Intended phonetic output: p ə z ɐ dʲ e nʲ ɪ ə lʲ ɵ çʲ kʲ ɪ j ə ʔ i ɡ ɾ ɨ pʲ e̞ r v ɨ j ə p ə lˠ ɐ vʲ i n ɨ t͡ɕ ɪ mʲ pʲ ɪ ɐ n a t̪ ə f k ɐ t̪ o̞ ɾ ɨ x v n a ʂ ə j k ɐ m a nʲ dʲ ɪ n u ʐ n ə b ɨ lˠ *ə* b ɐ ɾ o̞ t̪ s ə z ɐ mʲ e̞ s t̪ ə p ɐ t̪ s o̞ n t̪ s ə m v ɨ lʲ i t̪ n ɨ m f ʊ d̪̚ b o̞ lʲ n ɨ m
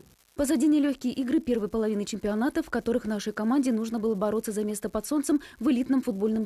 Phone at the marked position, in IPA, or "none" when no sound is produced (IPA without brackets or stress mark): ə